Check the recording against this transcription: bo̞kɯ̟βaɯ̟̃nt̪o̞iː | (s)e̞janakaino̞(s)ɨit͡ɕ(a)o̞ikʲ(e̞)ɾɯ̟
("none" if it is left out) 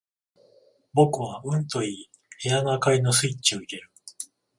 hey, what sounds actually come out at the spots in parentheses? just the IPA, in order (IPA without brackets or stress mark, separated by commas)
h, s, i, e̞